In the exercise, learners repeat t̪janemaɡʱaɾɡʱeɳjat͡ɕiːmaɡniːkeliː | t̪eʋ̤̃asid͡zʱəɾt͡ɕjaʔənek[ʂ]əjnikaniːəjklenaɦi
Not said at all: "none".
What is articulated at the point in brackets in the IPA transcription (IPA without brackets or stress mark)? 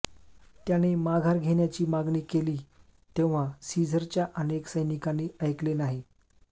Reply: s